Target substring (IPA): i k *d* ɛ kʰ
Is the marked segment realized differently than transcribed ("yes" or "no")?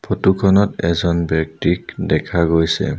no